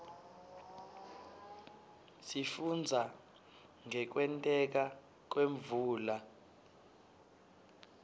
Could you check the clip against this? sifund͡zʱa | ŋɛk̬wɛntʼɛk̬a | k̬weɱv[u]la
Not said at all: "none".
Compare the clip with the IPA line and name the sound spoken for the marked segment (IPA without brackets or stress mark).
uː